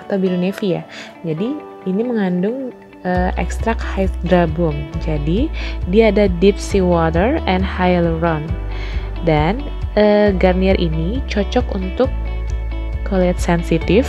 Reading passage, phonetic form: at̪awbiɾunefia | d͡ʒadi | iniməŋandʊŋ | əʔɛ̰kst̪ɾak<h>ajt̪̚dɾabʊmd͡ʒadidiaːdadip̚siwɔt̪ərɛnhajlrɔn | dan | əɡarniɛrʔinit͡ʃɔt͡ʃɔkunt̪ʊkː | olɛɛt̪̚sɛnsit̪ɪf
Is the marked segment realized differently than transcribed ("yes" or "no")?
no